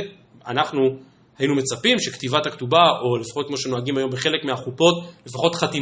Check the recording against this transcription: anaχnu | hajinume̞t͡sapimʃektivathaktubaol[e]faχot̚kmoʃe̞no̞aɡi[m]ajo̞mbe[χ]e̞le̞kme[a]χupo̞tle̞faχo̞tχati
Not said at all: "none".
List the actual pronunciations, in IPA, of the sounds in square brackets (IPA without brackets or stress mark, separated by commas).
e, m, χ, a